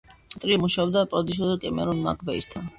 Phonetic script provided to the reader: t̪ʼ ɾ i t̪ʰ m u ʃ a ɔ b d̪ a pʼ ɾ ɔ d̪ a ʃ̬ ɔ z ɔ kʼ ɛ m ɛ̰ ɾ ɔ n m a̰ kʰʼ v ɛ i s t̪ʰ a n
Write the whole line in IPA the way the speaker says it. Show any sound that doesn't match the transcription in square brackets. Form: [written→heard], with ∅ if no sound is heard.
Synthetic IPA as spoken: t̪ʼ ɾ i [t̪ʰ→∅] m u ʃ a ɔ b d̪ a pʼ ɾ ɔ d̪ [a→i] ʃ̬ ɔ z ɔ kʼ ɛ m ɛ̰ ɾ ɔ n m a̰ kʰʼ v ɛ i s t̪ʰ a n